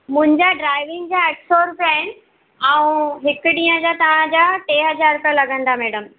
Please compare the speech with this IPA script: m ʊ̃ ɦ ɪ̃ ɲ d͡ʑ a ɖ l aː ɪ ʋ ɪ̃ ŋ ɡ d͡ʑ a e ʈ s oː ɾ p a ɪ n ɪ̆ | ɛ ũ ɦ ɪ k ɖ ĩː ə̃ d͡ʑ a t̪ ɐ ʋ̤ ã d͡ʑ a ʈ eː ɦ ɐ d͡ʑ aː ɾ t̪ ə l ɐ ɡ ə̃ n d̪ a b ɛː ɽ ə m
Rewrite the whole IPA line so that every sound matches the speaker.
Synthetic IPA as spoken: m ʊ̃ ɦ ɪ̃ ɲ d͡ʑ a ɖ ɾ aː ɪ ʋ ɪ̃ ŋ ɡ d͡ʑ a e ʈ s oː ɾ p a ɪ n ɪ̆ | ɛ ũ ɦ ɪ k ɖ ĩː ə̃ d͡ʑ a t̪ ɐ ʋ̤ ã d͡ʑ a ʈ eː ɦ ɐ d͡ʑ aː ɾ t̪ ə l ɐ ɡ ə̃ n d̪ a m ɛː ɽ ə m